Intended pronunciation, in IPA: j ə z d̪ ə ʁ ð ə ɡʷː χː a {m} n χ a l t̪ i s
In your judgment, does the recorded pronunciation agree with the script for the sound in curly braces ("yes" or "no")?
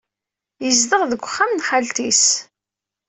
yes